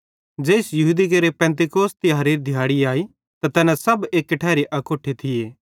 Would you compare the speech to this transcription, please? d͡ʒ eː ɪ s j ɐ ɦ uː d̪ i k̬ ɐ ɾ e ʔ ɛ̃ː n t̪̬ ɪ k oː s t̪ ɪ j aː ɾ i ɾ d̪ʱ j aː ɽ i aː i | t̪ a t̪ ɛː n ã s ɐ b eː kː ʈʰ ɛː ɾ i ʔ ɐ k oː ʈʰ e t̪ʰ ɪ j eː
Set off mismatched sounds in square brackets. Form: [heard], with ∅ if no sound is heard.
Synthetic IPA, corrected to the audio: d͡ʒ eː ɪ s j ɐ ɦ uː d̪ i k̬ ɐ ɾ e [p] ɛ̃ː n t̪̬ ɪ k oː s t̪ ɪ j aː ɾ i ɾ d̪ʱ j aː ɽ i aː i | t̪ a t̪ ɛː n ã s ɐ b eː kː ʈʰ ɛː ɾ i ʔ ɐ k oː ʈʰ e t̪ʰ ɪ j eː